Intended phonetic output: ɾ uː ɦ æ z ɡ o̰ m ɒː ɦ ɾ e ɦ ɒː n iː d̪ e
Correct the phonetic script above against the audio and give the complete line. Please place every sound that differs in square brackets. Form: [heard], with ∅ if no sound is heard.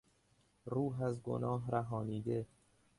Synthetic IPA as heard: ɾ uː ɦ æ z ɡ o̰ [n] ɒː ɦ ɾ [æ] ɦ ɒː n iː d̪ e